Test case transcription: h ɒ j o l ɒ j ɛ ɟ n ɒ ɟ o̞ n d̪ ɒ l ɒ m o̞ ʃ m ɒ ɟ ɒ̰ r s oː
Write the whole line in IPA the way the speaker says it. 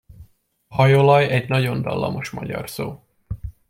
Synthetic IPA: h ɒ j o l ɒ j ɛ ɟ n ɒ ɟ o̞ n d̪ ɒ lː ɒ m o̞ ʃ m ɒ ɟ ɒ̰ r s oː